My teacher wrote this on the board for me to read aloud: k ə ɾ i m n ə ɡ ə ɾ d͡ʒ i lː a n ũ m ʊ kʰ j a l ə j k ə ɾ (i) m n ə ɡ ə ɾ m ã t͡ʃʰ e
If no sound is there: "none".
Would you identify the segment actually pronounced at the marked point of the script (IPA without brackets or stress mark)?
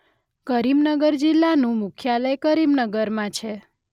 i